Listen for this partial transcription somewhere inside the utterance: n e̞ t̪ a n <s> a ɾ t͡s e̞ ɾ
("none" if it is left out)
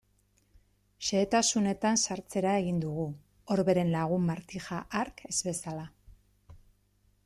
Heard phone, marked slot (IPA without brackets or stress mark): s